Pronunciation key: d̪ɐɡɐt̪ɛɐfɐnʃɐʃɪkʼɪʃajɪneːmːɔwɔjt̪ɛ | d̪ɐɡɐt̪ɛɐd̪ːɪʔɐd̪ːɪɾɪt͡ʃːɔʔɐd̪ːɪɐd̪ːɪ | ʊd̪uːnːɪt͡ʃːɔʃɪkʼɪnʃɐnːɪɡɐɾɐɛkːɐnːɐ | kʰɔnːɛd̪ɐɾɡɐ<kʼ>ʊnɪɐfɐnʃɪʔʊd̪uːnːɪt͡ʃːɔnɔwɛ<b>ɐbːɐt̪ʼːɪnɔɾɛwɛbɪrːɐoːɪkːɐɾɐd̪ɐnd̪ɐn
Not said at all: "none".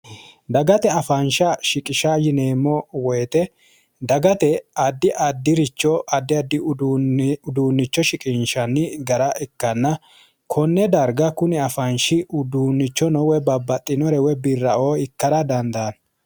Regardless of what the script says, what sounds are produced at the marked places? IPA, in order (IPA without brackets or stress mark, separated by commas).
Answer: k, b